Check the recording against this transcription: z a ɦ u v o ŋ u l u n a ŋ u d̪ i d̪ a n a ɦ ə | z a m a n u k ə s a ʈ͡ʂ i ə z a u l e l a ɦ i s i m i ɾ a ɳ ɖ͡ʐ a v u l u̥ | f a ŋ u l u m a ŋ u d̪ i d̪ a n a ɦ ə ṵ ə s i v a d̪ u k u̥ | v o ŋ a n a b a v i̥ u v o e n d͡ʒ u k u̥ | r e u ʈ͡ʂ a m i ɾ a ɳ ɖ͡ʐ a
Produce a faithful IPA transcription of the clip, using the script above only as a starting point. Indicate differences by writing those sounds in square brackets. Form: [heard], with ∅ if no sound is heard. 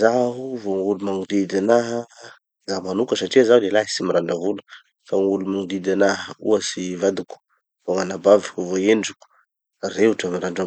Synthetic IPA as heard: z a ɦ u v o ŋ u l u [m] a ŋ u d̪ i d̪ a n a ɦ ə | z a m a n u k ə s a ʈ͡ʂ i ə z a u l e l a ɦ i s i m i ɾ a ɳ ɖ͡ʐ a v u l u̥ | f a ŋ u l u m a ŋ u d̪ i d̪ a n a ɦ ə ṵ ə s i v a d̪ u k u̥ | v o ŋ a n a b a v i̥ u v o e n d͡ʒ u k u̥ | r e u ʈ͡ʂ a m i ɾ a ɳ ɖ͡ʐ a